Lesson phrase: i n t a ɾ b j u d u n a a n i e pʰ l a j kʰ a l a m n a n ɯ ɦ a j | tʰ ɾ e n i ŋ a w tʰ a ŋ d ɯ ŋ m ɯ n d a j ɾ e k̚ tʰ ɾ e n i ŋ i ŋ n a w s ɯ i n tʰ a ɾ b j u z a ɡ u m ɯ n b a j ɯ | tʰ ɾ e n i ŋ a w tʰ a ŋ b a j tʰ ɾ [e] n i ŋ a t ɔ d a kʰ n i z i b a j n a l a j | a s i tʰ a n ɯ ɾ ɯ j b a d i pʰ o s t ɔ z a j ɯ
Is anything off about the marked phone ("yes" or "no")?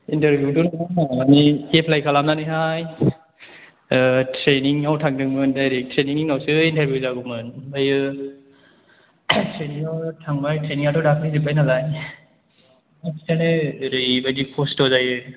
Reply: no